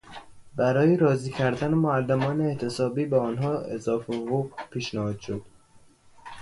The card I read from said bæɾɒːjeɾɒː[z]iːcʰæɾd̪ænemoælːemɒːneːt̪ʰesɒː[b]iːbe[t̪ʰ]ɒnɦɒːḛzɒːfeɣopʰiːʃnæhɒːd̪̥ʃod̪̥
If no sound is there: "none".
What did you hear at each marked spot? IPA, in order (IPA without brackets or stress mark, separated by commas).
z, b, none